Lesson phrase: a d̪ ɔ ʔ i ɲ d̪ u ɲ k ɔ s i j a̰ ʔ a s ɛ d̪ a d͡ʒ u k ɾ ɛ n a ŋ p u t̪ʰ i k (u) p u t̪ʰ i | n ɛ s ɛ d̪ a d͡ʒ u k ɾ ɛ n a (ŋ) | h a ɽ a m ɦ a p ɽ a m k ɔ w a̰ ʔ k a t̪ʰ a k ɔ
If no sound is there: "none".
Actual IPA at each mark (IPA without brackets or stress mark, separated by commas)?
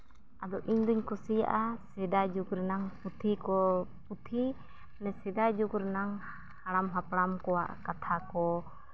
ɔ, ŋ